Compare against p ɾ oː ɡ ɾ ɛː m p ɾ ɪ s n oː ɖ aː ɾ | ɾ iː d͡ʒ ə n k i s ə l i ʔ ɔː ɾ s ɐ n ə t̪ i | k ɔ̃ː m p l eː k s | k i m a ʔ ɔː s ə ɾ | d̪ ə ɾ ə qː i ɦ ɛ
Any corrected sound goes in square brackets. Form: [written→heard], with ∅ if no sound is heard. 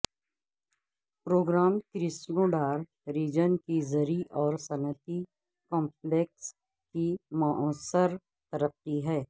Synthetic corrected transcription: p ɾ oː ɡ ɾ [ɛː→aː] m [p→k] ɾ ɪ s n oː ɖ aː ɾ | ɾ iː d͡ʒ ə n k i [s→z] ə [l→ɾ] i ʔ ɔː ɾ s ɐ n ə t̪ i | k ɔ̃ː m p l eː k s | k i m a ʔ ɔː s ə ɾ | [d̪→t̪] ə ɾ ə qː i ɦ [ɛ→ɛː]